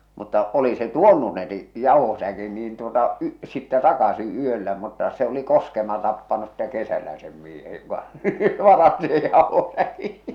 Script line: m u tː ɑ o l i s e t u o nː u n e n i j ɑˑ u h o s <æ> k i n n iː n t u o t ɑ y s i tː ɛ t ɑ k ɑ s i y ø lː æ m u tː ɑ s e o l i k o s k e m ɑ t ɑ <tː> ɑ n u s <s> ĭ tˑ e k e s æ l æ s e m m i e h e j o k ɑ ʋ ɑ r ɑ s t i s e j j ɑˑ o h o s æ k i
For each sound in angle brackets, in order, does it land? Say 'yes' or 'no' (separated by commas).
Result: yes, no, yes